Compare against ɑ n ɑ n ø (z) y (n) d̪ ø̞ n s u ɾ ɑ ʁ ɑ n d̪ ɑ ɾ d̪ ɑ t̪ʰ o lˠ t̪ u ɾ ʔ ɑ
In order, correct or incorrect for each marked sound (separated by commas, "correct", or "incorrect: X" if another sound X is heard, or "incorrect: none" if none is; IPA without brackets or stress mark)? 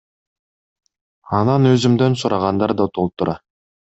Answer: correct, incorrect: m